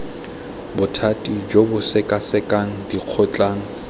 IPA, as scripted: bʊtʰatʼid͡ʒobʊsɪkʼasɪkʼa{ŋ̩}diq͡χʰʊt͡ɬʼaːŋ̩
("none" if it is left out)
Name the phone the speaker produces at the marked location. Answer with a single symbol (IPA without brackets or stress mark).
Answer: ŋ̩